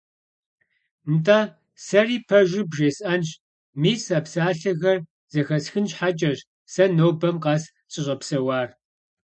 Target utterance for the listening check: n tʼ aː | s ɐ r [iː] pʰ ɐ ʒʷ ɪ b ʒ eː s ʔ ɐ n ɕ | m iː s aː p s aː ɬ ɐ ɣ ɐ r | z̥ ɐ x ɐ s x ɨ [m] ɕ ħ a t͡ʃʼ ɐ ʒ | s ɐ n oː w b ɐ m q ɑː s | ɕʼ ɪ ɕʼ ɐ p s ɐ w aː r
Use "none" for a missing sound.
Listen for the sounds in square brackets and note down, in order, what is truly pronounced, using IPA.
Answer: iː, n

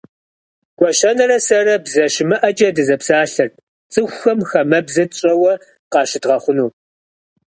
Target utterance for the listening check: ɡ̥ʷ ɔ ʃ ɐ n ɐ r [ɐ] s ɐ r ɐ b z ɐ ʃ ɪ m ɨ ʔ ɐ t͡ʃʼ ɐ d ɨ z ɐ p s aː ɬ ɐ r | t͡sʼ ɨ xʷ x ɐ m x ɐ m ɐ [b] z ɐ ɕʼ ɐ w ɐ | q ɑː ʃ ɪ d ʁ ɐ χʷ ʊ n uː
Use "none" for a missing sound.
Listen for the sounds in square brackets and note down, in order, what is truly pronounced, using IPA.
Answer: ɐ, b

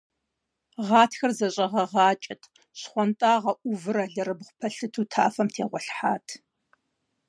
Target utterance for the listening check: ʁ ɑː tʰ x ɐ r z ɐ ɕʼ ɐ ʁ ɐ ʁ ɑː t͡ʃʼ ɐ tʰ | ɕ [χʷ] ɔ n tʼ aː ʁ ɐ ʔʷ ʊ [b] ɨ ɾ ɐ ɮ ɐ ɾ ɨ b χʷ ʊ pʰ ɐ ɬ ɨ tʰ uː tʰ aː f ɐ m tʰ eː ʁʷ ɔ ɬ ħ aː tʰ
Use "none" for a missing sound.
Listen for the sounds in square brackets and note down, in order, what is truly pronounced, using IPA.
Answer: χʷ, v

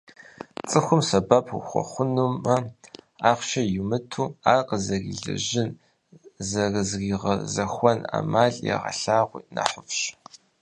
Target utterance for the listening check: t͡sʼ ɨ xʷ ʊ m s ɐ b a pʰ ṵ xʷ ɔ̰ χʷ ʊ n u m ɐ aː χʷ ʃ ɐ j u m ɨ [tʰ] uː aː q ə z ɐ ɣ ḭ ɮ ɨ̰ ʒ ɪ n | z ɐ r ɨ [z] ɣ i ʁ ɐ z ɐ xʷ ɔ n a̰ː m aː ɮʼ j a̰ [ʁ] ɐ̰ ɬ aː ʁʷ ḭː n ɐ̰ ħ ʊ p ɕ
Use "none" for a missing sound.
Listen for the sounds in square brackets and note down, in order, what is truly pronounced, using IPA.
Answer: tʰ, z, ʁ

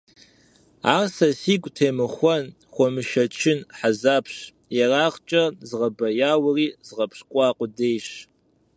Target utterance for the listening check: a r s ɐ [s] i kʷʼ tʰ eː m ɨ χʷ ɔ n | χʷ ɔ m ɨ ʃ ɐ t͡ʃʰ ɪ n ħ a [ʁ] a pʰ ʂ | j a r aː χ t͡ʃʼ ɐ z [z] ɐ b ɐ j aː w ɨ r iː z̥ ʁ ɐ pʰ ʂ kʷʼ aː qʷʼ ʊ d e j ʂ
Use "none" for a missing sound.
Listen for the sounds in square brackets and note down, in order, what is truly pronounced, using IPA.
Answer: s, z, ʁ

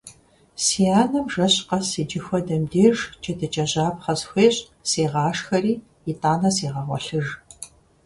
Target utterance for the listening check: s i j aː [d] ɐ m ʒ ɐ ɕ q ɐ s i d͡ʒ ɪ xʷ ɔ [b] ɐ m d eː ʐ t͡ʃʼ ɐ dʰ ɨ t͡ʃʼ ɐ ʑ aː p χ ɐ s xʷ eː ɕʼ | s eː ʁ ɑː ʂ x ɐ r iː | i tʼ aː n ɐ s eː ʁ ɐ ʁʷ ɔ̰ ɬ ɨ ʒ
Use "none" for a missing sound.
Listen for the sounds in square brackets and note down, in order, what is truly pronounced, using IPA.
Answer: n, d

